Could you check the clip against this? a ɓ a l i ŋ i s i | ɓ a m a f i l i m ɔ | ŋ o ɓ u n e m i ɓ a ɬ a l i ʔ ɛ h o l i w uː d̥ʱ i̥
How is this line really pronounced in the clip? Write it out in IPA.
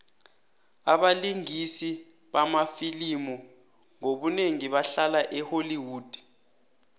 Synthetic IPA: a ɓ a l i ŋ i s i | ɓ a m a f i l i m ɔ | ŋ o ɓ u n e ŋ i ɓ a ɬ a l a ʔ ɛ h o l i w uː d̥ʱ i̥